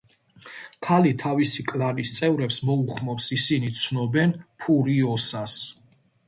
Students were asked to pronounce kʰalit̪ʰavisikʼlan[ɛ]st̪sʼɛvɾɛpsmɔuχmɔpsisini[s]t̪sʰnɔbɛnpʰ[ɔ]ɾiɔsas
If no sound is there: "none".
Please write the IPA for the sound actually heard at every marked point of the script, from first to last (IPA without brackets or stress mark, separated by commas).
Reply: i, none, u